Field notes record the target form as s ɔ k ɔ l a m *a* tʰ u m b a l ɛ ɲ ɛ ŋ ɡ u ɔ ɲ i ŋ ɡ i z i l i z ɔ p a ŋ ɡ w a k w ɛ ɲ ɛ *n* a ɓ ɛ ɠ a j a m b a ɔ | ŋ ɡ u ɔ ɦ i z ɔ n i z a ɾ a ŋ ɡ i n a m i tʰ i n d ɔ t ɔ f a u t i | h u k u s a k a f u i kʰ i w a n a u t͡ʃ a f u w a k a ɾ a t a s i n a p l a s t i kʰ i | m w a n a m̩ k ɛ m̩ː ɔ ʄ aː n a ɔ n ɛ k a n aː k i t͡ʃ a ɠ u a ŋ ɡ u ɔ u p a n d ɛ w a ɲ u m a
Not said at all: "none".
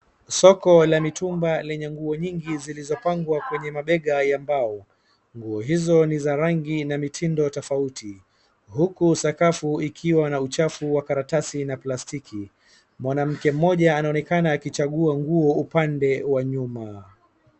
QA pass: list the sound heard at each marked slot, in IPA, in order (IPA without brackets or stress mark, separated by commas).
i, m